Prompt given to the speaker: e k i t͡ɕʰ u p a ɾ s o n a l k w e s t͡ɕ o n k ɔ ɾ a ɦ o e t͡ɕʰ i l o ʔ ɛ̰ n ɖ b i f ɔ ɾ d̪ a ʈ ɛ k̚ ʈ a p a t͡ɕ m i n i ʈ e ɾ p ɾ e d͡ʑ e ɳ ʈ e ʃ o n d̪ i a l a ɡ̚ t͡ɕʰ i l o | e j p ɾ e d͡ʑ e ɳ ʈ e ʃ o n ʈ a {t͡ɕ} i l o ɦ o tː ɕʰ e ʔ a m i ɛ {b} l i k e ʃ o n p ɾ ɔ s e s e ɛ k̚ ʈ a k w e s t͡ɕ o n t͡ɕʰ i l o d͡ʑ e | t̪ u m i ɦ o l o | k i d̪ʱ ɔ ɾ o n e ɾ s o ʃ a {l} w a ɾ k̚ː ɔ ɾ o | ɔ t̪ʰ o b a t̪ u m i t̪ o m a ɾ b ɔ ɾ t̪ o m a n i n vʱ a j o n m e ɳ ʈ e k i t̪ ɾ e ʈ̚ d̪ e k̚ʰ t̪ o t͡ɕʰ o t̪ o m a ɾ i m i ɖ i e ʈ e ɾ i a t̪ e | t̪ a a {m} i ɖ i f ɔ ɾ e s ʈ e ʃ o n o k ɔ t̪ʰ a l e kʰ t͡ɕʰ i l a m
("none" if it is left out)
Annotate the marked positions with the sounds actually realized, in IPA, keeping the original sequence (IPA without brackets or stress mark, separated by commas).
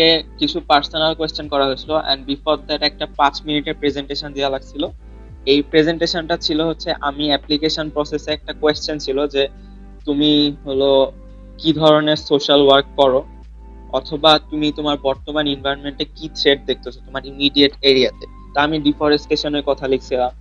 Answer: t͡ɕʰ, p, l, m